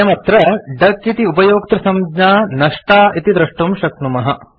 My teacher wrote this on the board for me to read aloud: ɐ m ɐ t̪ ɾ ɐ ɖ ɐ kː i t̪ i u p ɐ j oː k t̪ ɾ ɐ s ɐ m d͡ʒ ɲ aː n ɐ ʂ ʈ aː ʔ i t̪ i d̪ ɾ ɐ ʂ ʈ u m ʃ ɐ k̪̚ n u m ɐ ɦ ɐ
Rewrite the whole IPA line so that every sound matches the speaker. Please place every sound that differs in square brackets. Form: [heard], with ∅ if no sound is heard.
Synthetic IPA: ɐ m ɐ t̪ ɾ ɐ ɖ ɐ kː i t̪ i u p ɐ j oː k t̪ ɾ ɐ s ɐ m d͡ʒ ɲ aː n ɐ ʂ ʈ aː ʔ i t̪ i d̪ ɾ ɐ ʂ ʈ u m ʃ ɐ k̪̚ n u m ɐ ɦ ɐ

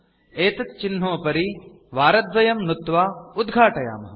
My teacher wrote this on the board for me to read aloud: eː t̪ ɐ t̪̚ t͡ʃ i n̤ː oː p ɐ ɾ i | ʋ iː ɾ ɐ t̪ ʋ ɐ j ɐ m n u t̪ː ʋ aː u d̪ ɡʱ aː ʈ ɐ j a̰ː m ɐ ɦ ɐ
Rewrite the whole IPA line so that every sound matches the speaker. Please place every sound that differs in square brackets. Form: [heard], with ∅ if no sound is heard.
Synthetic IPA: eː t̪ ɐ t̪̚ t͡ʃ i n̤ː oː p ɐ ɾ i | ʋ [aː] ɾ ɐ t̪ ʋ ɐ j ɐ m n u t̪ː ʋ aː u d̪ ɡʱ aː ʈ ɐ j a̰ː m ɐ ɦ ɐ

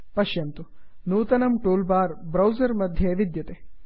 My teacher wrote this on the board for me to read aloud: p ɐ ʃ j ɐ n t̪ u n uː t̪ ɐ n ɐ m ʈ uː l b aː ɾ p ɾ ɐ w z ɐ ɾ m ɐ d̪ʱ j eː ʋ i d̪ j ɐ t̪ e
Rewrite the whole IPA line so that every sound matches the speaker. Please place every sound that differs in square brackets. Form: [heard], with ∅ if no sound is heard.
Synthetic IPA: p ɐ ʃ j ɐ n t̪ u n uː t̪ ɐ n ɐ m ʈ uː l b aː ɾ [b] ɾ ɐ w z ɐ ɾ m ɐ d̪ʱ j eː ʋ i d̪ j ɐ t̪ e

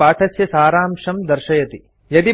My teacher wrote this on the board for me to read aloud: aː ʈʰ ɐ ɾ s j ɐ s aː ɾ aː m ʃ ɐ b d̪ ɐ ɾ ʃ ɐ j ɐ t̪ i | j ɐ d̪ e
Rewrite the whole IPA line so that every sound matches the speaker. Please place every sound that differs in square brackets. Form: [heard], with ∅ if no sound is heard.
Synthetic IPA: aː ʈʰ ɐ [∅] s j ɐ s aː ɾ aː m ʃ ɐ [m] d̪ ɐ ɾ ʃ ɐ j ɐ t̪ i | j ɐ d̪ [i]

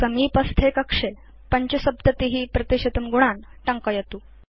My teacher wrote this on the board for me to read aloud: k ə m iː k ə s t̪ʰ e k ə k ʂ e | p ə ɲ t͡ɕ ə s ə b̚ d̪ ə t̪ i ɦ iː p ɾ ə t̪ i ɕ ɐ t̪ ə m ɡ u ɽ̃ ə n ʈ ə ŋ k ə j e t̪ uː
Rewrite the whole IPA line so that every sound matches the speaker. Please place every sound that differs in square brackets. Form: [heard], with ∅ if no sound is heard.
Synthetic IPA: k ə m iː [p] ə s t̪ʰ e k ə k ʂ e | p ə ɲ t͡ɕ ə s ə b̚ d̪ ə t̪ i ɦ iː p ɾ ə t̪ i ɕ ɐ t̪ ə m ɡ u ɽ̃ [a] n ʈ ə ŋ k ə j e t̪ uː

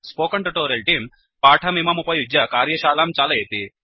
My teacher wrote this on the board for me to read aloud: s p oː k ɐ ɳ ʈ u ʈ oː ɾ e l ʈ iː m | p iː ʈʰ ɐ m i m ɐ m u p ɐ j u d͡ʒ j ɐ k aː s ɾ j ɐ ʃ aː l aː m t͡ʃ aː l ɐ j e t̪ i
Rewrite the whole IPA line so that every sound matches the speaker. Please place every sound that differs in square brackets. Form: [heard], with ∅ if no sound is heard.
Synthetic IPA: s p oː k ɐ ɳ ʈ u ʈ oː ɾ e l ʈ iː m | p [aː] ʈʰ ɐ m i m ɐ m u p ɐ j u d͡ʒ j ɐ k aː [∅] ɾ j ɐ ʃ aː l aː m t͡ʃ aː l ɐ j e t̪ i

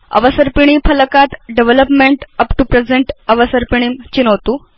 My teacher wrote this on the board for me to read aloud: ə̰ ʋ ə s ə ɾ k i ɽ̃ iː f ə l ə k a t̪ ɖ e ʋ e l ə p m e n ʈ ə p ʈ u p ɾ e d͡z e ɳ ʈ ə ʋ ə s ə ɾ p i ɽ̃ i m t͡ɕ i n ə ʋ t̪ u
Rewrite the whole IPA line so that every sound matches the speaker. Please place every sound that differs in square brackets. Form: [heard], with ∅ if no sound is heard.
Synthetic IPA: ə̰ ʋ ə s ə ɾ [p] i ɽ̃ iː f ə l ə k a t̪ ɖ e ʋ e l ə p m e [ɳ] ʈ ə p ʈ u p ɾ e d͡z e ɳ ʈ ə ʋ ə s ə ɾ p i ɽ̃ i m t͡ɕ i n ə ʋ t̪ u

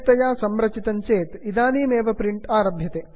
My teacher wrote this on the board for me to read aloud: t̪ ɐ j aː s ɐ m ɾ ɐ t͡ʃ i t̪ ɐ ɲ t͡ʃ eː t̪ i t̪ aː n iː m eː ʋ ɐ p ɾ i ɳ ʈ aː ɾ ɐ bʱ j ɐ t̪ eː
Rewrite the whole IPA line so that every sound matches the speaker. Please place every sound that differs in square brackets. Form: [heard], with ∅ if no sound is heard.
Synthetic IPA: t̪ ɐ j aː s ɐ m ɾ ɐ t͡ʃ i t̪ ɐ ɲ t͡ʃ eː t̪ i [d̪] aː n iː m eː ʋ ɐ p ɾ i ɳ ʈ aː ɾ ɐ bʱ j ɐ t̪ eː

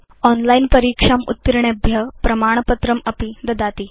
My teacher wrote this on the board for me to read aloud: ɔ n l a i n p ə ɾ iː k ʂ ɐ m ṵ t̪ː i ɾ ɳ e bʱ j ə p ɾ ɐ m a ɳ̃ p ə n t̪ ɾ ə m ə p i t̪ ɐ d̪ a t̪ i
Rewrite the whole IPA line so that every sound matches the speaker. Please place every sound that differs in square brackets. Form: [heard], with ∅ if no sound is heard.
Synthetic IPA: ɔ n l a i n p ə ɾ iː k ʂ [a] m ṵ t̪ː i ɾ ɳ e bʱ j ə p ɾ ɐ m a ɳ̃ p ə [∅] t̪ ɾ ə m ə p i [d̪] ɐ d̪ a t̪ i

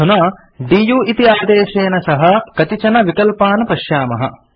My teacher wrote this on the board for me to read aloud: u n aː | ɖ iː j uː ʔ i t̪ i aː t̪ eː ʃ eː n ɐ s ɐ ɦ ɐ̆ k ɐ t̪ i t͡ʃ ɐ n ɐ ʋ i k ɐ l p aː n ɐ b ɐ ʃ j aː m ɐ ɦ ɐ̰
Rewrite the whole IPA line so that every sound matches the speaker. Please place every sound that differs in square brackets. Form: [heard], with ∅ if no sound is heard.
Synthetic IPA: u n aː | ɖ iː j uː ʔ i t̪ i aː [d̪] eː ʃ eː n ɐ s ɐ ɦ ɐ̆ k ɐ t̪ i t͡ʃ ɐ n ɐ ʋ i k ɐ l p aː n ɐ [p] ɐ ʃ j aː m ɐ ɦ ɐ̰

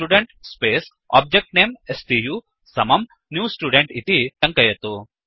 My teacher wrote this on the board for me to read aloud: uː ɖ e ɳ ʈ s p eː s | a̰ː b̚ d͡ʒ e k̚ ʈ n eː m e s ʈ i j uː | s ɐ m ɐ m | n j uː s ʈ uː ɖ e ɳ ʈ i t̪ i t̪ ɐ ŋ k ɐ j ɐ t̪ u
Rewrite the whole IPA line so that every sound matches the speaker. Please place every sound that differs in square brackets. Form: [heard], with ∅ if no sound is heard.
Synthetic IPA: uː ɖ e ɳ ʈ s p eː s | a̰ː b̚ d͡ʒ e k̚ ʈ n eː m e s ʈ i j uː | s ɐ m ɐ m | n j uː s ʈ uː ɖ e ɳ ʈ i t̪ i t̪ ɐ ŋ k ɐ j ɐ t̪ u

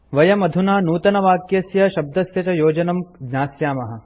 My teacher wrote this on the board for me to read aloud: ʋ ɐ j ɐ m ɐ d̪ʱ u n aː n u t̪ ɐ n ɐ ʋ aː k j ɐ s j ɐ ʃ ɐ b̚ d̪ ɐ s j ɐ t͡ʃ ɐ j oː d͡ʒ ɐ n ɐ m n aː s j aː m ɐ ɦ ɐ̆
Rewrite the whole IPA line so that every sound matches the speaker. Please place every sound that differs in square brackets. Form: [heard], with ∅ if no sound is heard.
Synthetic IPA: ʋ ɐ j ɐ m ɐ d̪ʱ u n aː n [uː] t̪ ɐ n ɐ ʋ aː k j ɐ s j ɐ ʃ ɐ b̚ d̪ ɐ s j ɐ t͡ʃ ɐ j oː d͡ʒ ɐ n ɐ m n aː s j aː m ɐ ɦ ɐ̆

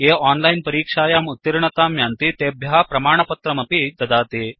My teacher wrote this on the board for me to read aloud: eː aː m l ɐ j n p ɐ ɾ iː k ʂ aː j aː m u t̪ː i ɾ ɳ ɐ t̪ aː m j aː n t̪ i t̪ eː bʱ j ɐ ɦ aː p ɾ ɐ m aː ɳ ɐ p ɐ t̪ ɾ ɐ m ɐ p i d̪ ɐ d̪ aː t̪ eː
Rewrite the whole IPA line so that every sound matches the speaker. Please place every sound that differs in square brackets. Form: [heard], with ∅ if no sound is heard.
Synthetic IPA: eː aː [n] l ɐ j n p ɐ ɾ iː k ʂ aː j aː m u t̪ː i ɾ ɳ ɐ t̪ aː m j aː n t̪ i t̪ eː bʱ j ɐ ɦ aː p ɾ ɐ m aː ɳ ɐ p ɐ t̪ ɾ ɐ m ɐ p i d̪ ɐ d̪ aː t̪ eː

